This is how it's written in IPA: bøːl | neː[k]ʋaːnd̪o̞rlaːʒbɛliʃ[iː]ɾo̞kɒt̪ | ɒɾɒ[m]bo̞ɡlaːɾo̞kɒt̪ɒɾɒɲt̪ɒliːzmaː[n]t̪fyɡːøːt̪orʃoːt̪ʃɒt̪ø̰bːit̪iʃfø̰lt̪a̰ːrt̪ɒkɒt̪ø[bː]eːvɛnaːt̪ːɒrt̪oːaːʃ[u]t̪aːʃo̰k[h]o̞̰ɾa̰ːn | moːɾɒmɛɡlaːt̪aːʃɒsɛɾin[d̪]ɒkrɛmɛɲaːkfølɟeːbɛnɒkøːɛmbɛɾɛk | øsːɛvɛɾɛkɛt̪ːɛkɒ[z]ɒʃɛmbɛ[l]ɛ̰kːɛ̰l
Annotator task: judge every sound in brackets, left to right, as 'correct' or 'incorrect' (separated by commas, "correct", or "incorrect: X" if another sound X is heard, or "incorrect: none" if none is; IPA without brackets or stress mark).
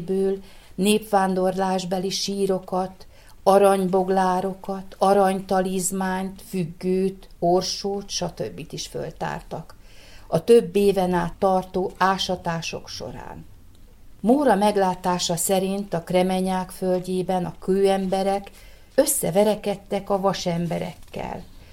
incorrect: p, correct, incorrect: ɲ, incorrect: ɲ, correct, incorrect: ɒ, incorrect: ʃ, incorrect: t̪, incorrect: v, incorrect: ɾ